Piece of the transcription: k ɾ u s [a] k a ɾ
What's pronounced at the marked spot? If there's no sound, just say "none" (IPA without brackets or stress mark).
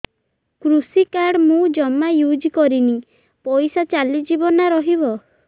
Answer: i